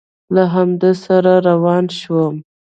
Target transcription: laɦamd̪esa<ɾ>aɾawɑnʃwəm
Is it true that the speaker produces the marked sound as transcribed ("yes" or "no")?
yes